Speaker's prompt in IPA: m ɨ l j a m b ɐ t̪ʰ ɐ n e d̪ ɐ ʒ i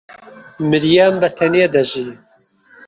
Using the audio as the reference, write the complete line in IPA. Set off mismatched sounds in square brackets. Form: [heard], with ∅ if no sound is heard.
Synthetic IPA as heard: m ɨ [ɾ] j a m b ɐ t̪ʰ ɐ n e d̪ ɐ ʒ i